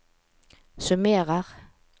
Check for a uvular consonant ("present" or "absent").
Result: present